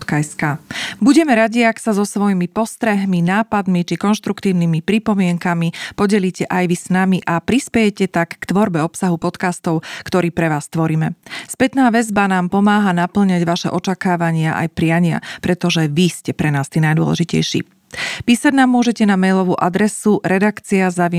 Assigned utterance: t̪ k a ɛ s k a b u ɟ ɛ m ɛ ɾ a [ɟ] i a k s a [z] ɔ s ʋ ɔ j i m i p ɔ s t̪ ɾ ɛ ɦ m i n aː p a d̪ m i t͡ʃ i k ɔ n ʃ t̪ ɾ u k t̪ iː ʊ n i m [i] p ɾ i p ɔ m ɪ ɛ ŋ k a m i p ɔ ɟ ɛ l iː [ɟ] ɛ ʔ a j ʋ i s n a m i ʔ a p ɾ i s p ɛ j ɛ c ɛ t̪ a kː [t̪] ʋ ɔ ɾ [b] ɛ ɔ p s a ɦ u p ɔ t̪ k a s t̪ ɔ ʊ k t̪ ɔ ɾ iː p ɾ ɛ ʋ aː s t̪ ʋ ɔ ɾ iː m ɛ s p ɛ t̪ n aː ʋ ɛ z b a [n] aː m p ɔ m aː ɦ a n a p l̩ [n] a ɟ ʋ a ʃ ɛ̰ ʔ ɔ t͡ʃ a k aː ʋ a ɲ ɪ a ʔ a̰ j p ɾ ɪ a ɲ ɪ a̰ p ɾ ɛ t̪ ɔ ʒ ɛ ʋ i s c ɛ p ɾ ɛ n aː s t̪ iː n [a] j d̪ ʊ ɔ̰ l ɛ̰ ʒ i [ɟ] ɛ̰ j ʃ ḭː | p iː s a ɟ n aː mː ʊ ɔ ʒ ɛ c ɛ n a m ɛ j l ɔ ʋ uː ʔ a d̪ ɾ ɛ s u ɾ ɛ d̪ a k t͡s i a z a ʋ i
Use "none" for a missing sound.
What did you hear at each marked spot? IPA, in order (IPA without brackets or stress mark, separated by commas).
ɟ, z, i, c, t̪, b, n, ɲ, a, c